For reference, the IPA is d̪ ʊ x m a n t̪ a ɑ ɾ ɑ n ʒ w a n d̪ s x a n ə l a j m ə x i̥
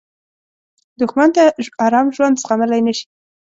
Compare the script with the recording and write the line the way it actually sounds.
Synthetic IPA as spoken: d̪ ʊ x m a n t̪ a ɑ ɾ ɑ m ʒ w a n d̪ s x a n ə l a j n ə ʃ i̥